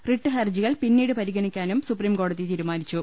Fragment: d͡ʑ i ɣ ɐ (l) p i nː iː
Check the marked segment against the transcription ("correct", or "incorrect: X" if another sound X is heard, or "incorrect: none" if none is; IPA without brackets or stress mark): incorrect: ɭ